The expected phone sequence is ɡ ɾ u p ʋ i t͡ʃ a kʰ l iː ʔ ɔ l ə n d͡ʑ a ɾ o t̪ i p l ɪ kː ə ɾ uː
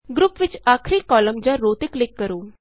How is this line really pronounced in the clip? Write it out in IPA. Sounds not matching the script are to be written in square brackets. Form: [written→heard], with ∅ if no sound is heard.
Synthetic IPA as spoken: ɡ ɾ u p ʋ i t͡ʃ a kʰ [l→ɾ] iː [ʔ→k] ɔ l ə [n→m] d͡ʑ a ɾ o t̪ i [p→k] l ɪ kː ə ɾ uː